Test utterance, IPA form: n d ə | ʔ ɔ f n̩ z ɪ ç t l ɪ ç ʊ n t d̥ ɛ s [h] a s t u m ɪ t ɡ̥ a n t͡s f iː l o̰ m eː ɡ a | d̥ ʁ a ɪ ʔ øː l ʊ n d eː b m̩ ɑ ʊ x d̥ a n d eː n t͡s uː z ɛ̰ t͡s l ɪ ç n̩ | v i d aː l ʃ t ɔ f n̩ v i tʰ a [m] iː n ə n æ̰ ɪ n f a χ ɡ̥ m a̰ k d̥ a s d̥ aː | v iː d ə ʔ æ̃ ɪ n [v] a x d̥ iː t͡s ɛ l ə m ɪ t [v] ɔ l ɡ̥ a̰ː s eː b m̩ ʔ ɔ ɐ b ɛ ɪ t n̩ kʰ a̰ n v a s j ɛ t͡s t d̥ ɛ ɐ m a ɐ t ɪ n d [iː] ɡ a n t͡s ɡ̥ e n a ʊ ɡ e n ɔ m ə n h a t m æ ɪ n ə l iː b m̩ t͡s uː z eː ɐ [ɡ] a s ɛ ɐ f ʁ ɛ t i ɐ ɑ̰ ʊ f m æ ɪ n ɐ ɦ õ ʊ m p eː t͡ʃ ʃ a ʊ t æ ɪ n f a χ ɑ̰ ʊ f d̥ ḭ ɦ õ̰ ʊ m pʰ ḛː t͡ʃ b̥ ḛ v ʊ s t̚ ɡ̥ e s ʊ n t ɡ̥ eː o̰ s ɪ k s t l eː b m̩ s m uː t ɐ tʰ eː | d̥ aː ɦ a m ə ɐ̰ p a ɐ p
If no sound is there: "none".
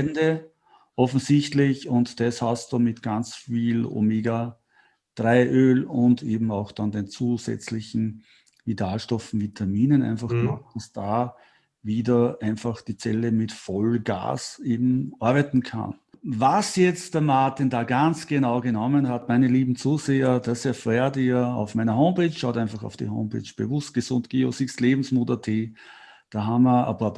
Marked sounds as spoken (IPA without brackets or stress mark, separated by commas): h, m, f, f, aː, d